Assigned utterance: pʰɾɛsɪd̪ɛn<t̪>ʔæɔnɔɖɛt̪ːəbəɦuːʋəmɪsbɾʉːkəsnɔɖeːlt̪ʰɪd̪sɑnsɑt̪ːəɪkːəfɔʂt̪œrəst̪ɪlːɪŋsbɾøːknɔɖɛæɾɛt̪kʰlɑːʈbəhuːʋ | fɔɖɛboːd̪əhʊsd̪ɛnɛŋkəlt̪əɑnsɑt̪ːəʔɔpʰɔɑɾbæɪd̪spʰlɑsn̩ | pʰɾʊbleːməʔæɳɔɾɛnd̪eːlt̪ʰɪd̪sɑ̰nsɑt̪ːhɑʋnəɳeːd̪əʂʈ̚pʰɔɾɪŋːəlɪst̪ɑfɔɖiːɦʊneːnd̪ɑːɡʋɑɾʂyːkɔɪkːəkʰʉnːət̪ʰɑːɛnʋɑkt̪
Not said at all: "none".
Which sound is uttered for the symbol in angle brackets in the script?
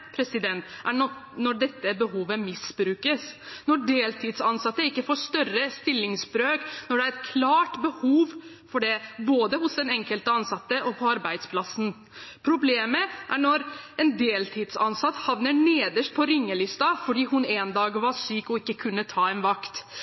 t̪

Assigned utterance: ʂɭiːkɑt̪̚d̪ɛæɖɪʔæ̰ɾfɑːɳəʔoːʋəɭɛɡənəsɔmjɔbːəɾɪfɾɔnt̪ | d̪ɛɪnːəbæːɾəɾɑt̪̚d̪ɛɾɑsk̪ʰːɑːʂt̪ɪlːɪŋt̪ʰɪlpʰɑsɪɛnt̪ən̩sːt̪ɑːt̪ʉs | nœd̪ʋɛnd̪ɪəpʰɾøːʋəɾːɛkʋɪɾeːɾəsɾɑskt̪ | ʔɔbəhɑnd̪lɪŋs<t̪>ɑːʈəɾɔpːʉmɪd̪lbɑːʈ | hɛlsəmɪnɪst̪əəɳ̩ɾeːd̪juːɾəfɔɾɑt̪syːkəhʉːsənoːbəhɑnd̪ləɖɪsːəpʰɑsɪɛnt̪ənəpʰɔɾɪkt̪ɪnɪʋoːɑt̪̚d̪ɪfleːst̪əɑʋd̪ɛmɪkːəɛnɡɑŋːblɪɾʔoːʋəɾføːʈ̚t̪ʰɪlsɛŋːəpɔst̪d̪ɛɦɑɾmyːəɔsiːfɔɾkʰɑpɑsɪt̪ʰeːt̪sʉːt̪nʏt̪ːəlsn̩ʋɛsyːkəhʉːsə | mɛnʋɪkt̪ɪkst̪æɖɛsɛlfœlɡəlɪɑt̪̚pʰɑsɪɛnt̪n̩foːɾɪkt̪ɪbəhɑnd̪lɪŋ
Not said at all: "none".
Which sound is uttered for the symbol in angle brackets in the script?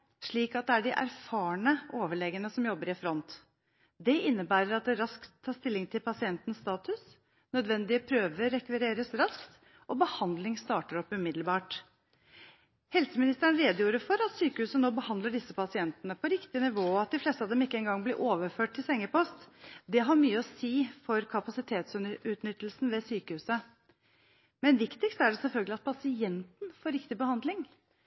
t̪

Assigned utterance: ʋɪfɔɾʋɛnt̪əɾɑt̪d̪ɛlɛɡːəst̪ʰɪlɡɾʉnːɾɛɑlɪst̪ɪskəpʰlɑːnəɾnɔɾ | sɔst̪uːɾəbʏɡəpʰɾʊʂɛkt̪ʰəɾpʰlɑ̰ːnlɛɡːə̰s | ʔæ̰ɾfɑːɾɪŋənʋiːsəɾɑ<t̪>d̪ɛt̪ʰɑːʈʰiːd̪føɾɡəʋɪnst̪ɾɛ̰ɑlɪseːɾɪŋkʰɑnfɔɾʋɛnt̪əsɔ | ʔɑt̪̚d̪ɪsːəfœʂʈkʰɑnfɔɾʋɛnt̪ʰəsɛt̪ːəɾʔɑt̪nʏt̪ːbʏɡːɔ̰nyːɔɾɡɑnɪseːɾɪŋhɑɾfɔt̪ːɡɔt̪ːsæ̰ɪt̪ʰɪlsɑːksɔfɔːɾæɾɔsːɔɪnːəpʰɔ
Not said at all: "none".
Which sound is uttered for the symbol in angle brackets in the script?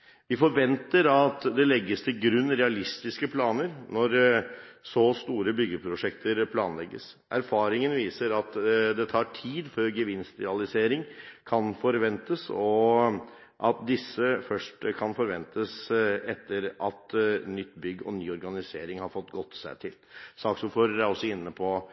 t̪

